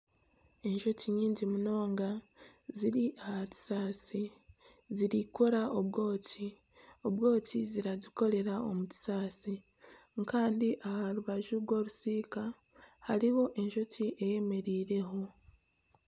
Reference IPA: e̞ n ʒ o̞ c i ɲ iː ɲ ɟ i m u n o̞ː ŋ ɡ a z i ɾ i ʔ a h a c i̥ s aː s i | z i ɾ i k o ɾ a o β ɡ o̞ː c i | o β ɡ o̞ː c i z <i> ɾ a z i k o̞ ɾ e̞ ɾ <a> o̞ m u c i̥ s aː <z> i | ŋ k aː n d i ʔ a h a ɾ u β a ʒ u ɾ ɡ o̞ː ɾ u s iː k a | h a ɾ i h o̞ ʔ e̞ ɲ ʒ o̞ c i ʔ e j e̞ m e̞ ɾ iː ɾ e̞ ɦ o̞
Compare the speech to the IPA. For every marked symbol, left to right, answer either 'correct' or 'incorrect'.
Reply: correct, correct, incorrect

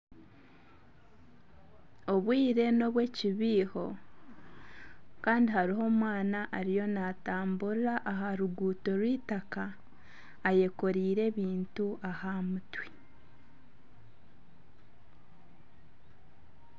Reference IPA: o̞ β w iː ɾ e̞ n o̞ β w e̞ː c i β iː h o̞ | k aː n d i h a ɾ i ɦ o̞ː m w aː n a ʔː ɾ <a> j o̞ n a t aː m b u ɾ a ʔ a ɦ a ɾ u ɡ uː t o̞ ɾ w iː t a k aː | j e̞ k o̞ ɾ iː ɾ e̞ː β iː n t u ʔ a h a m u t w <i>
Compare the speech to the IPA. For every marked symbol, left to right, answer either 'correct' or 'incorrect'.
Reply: incorrect, correct

